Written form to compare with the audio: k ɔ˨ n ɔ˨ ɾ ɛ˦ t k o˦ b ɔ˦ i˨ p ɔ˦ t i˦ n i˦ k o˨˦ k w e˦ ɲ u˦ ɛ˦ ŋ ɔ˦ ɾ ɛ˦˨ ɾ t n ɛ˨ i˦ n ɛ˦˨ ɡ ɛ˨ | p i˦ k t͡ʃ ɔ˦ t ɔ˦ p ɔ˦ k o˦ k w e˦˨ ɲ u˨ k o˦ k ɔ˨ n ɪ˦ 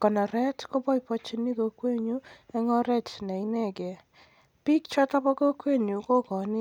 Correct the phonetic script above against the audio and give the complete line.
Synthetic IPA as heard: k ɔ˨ n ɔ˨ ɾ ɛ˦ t k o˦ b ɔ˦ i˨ p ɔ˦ t͡ʃ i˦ n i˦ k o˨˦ k w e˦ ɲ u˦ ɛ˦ ŋ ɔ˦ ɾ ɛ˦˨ t n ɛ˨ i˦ n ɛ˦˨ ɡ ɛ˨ | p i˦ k t͡ʃ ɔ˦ t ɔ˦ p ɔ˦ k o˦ k w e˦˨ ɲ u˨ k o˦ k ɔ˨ n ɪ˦